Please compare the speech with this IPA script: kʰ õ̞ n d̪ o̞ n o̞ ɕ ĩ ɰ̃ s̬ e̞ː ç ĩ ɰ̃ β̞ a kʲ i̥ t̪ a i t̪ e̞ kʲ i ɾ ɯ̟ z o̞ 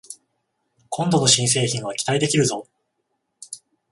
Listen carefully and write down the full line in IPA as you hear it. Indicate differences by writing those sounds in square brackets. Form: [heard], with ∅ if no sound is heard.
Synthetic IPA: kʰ õ̞ n d̪ o̞ n o̞ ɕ ĩ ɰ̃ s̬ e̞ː ç ĩ ɰ̃ β̞ a kʲ i̥ t̪ a i [d̪] e̞ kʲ i ɾ ɯ̟ z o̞